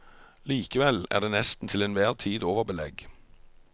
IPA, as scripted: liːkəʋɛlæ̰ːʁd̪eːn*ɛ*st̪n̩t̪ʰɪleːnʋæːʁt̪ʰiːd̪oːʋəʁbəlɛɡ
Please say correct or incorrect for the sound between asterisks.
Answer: correct